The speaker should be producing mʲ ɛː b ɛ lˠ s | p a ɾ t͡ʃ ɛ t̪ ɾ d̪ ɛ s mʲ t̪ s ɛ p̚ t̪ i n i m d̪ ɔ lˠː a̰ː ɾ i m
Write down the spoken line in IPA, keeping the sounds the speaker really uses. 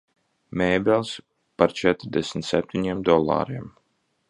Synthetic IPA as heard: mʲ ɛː b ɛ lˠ s | p a ɾ t͡ʃ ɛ t̪ ɾ d̪ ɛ s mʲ t̪ s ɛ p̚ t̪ i ɲ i m d̪ ɔ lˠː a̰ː ɾ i m